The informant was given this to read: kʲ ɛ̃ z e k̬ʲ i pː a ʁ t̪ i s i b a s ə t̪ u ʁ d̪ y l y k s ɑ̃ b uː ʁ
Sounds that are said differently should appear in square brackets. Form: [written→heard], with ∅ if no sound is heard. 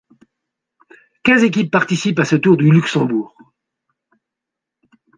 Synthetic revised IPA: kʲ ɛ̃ z e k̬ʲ i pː a ʁ t̪ i s i [b→p] a s ə t̪ u ʁ d̪ y l y k s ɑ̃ b uː ʁ

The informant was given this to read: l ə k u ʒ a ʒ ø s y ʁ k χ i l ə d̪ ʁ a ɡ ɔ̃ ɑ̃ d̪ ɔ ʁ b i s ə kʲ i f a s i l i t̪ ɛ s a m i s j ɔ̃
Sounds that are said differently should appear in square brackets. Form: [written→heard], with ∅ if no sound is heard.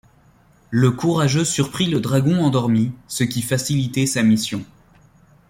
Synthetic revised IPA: l ə k u [ʒ→ʁ] a ʒ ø s y ʁ [k→p] χ i l ə d̪ ʁ a ɡ ɔ̃ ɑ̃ d̪ ɔ ʁ [b→m] i s ə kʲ i f a s i l i t̪ ɛ s a m i s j ɔ̃

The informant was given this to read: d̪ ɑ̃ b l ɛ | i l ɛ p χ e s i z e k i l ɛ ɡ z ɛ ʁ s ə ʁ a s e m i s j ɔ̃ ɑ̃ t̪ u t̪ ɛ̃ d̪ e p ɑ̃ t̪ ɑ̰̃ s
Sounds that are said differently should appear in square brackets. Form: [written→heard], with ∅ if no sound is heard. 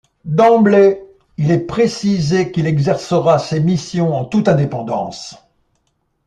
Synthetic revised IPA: d̪ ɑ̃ b l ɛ | i l ɛ p χ e s i z e k i l ɛ ɡ z ɛ ʁ s ə ʁ a s e m i s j ɔ̃ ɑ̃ t̪ u t̪ ɛ̃ d̪ e p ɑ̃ [t̪→d̪] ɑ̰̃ s

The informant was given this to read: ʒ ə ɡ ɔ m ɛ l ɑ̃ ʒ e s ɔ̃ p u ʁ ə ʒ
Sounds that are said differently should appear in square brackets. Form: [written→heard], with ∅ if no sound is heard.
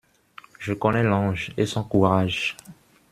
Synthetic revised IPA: ʒ ə [ɡ→k] ɔ [m→n] ɛ l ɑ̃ ʒ e s ɔ̃ [p→k] u ʁ [ə→a] ʒ

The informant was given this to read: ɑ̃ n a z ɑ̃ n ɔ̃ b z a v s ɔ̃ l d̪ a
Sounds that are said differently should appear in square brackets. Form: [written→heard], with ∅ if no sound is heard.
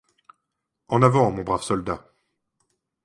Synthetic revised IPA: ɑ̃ n a [z→v] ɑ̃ [n→m] ɔ̃ b [z→ʁ] a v s [ɔ̃→ɔ] l d̪ a

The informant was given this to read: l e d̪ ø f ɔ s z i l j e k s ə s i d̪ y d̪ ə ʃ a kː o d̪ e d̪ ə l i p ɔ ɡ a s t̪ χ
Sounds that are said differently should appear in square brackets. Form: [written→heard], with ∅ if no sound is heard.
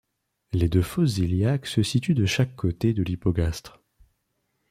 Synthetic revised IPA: l e d̪ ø f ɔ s z i l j [e→a] k s ə s i [d̪→t̪] y d̪ ə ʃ a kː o [d̪→t̪] e d̪ ə l i p ɔ ɡ a s t̪ χ

